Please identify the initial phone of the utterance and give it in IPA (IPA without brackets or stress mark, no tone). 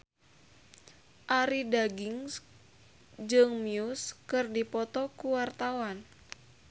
ʔ